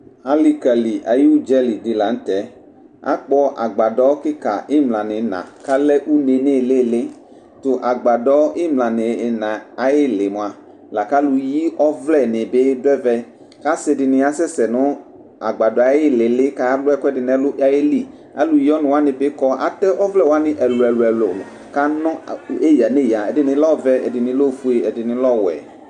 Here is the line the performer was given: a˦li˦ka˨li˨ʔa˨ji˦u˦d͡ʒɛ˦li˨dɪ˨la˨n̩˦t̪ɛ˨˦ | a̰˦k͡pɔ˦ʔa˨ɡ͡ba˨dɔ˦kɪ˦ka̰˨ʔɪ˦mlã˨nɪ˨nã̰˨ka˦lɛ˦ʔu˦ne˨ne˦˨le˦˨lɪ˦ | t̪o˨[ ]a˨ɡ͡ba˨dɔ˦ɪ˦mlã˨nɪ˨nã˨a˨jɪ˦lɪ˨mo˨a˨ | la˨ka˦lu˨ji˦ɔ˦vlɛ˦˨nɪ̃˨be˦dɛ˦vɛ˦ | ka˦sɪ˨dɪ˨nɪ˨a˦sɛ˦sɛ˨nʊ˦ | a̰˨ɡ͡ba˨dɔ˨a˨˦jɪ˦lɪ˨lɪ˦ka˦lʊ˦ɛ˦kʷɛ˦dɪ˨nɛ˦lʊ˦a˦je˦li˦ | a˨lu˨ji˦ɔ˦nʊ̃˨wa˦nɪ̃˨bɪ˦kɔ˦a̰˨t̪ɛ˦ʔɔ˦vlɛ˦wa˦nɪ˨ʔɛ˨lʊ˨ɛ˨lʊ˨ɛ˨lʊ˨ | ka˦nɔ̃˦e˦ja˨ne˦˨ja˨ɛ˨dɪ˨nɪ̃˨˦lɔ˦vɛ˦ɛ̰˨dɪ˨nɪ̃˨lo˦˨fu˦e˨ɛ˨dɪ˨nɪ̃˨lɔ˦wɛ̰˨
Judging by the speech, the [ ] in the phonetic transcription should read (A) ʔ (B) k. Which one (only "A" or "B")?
A